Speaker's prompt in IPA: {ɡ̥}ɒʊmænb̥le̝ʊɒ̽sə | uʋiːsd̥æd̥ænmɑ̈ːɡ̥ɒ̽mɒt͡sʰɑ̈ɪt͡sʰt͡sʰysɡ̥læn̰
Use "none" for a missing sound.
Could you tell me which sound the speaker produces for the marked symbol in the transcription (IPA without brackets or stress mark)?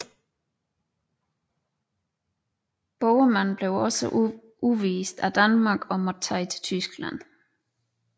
b̥